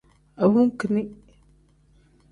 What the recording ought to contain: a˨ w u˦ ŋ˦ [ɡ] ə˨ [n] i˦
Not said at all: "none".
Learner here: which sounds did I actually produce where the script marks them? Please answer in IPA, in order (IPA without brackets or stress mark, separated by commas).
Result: k, n